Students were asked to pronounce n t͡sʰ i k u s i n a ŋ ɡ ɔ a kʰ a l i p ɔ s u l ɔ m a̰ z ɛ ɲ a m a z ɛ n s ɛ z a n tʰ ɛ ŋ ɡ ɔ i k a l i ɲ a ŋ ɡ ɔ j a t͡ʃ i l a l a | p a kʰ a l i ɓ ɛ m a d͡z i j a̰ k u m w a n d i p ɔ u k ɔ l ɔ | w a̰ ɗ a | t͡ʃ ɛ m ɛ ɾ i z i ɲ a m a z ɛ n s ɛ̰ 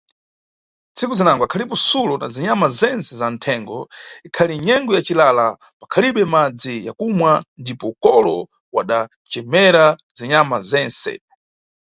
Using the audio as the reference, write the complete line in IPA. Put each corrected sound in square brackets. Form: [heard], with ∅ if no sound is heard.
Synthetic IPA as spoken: n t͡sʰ i k u [z] i n a ŋ ɡ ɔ a kʰ a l i p ɔ s u l ɔ [n] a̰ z [i] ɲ a m a z ɛ n s ɛ z a n tʰ ɛ ŋ ɡ ɔ i [kʰ] a l i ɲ [ɛ] ŋ ɡ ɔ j a t͡ʃ i l a l a | p a kʰ a l i ɓ ɛ m a d͡z i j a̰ k u m w a n d i p ɔ u k ɔ l ɔ | w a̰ ɗ a | t͡ʃ ɛ m ɛ ɾ [a] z i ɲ a m a z ɛ n s ɛ̰